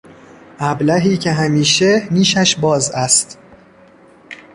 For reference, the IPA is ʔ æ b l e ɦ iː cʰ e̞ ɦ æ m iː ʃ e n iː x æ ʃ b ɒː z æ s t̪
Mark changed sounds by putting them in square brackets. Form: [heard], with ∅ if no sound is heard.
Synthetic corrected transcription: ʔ æ b l [æ] ɦ iː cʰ e̞ ɦ æ m iː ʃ e n iː [ʃ] æ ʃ b ɒː z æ s t̪